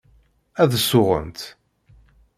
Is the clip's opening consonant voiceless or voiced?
voiced